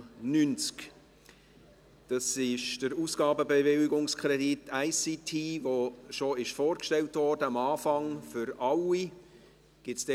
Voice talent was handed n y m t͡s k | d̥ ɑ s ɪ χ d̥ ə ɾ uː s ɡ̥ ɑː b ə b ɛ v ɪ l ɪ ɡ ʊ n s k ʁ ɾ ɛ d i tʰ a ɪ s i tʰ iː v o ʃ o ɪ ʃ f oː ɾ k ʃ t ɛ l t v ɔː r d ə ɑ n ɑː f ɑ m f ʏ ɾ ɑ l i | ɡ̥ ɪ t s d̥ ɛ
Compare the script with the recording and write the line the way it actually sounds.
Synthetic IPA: n y n t͡s k | d̥ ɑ s ɪ ʃ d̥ ə ɾ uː s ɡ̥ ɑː b ə b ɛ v ɪ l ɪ ɡ ʊ ŋ s k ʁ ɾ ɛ d i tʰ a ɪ s i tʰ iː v o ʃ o ɪ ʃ f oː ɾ k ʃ t ɛ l t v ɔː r d ə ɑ m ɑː f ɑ ŋ f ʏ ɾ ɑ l i | ɡ̥ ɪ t s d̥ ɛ